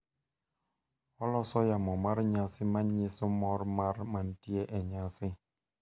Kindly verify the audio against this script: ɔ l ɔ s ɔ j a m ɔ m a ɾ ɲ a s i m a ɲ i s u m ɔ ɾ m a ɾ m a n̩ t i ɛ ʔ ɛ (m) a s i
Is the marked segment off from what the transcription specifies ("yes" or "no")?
yes